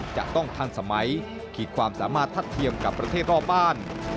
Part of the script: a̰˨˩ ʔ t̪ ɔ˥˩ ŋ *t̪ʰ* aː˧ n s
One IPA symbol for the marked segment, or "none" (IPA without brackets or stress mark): t̪ʰ